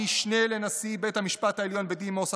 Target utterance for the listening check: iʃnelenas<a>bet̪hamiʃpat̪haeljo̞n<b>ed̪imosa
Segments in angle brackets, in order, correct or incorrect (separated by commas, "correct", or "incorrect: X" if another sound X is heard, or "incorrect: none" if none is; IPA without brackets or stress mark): incorrect: i, correct